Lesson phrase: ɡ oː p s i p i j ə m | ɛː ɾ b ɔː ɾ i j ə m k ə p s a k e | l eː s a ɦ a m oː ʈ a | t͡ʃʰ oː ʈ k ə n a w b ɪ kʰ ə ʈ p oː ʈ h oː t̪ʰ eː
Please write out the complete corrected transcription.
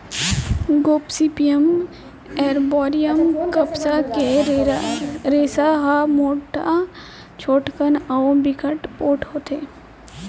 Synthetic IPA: ɡ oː p s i p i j ə m | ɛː ɾ b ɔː ɾ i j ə m k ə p s a k e | ɾ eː s a ɦ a m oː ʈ a | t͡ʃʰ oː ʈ k ə n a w b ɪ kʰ ə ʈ p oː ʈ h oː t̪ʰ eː